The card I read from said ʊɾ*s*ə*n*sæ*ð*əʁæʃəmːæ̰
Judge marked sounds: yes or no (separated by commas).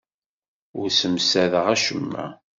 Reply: yes, no, yes